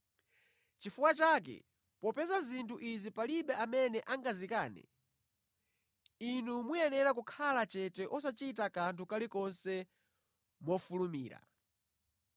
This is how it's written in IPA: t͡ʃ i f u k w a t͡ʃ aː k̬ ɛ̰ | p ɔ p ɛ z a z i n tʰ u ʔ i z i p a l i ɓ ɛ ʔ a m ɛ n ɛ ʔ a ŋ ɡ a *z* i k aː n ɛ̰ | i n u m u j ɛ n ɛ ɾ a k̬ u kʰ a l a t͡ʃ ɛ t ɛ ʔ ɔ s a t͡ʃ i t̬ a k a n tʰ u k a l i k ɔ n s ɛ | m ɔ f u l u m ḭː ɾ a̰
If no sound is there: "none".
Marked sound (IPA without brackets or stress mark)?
z